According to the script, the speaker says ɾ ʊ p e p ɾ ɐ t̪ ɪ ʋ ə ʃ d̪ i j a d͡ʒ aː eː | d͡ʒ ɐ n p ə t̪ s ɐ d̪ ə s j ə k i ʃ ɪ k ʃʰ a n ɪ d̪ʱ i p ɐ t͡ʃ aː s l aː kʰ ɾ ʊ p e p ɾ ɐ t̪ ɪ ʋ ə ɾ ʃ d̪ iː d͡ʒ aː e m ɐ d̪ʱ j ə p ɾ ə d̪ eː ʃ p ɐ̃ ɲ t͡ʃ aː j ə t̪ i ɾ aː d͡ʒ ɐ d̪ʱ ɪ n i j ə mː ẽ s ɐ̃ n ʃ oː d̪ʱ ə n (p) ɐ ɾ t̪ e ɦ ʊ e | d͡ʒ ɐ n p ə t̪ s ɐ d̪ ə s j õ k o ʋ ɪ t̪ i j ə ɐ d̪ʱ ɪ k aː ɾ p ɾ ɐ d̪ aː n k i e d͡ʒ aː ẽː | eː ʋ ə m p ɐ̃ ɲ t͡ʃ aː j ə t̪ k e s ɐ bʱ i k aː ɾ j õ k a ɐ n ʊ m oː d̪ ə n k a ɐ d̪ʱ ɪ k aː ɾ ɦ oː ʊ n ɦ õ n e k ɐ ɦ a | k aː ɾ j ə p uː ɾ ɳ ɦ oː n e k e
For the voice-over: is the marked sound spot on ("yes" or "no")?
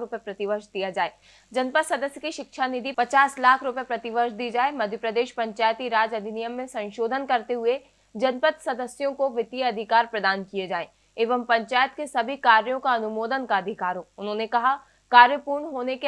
no